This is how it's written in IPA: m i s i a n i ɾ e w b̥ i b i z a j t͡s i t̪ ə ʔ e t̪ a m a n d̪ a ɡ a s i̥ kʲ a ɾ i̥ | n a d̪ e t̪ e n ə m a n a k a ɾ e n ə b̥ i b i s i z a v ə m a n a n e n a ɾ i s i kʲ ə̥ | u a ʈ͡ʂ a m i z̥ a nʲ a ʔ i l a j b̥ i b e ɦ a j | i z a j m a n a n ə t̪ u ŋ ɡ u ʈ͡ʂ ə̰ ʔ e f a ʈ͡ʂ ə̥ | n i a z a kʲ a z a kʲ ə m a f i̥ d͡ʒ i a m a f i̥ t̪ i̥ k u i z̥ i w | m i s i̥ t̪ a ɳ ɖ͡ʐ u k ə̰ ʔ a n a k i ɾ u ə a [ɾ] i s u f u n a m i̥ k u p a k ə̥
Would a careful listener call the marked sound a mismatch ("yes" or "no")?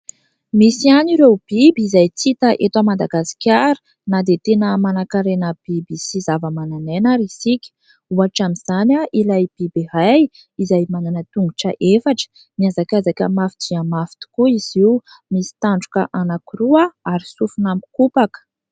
no